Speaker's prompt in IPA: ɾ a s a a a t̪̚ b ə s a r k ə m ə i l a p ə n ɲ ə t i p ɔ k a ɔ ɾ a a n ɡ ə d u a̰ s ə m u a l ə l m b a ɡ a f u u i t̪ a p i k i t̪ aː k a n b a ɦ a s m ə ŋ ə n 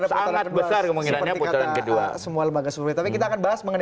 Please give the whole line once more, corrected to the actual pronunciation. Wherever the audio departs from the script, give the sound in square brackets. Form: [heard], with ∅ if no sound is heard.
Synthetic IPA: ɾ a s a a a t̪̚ b ə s a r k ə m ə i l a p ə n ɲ [a] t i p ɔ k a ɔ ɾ a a n [k] ə d u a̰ s ə m u a l ə [∅] m b a ɡ a [s] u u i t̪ a p i k i t̪ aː k a n b a ɦ a s m ə ŋ ə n